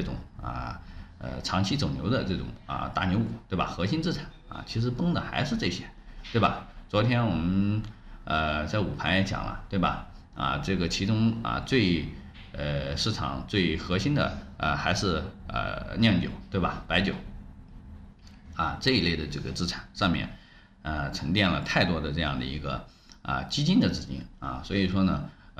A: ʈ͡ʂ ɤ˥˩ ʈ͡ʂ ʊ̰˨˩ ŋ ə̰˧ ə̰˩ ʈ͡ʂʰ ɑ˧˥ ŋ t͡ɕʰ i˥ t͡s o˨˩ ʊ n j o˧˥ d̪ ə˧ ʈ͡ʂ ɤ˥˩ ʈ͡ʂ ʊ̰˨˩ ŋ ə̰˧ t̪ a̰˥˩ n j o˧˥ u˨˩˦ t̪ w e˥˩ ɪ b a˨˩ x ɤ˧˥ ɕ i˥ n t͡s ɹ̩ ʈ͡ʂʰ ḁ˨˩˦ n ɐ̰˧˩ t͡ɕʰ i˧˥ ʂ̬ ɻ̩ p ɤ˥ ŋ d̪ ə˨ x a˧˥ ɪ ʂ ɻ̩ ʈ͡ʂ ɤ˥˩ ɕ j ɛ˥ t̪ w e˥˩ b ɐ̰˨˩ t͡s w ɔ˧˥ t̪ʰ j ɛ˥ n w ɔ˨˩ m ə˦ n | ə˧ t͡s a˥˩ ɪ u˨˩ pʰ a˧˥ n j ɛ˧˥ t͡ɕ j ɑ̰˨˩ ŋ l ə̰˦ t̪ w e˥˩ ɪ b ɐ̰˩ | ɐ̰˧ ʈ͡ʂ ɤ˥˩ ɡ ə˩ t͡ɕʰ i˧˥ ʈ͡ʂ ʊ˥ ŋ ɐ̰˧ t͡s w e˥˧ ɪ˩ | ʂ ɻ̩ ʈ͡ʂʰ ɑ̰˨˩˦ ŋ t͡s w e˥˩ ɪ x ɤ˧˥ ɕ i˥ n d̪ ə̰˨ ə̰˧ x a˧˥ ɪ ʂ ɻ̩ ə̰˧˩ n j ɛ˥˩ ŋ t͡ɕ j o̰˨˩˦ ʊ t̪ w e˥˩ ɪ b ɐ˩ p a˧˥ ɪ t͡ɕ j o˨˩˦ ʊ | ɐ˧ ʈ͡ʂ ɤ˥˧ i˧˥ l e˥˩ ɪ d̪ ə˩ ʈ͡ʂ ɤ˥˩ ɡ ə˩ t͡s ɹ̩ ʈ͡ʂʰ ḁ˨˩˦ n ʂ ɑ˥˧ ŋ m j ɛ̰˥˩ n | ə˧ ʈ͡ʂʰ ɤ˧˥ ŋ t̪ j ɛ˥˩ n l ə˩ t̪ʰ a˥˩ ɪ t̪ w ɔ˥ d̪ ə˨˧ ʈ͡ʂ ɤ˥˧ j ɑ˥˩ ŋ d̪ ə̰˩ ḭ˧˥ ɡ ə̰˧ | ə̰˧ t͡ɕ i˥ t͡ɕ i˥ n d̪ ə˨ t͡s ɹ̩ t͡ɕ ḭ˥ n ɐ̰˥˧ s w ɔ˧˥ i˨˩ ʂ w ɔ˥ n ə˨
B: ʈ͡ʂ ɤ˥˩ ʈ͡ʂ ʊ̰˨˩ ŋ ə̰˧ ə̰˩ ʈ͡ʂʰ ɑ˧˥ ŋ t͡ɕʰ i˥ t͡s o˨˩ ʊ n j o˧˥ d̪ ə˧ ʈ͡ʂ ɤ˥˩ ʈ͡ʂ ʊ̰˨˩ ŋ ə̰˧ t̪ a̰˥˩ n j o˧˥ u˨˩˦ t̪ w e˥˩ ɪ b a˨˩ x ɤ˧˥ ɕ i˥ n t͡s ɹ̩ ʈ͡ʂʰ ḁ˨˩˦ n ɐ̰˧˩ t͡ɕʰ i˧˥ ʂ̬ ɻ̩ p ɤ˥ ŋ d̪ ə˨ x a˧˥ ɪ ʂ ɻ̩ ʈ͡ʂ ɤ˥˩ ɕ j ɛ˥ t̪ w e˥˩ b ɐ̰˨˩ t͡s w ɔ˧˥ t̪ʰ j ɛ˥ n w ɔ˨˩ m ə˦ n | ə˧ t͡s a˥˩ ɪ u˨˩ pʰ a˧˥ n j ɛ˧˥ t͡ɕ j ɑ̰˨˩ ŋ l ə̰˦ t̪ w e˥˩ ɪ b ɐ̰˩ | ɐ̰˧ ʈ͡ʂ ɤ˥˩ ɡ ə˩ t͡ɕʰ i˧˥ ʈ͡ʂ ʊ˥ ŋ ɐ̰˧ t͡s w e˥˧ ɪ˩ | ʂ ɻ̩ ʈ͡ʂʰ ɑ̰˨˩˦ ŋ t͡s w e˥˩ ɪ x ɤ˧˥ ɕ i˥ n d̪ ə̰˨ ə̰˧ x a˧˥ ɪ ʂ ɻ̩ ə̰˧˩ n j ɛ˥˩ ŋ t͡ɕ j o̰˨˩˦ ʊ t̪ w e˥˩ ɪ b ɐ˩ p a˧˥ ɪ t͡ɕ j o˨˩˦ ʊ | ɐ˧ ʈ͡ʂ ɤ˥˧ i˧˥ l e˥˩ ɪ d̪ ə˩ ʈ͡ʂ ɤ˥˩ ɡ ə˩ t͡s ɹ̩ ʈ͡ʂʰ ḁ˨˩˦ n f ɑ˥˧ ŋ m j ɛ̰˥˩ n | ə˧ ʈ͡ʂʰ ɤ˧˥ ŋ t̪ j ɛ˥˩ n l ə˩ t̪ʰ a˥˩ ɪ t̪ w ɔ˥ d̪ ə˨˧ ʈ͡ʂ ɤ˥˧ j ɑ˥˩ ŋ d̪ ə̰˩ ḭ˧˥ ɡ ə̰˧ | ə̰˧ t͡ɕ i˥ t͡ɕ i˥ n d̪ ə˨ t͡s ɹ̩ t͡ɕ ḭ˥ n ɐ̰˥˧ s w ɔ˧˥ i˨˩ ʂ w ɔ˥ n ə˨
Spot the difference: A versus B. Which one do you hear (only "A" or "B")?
A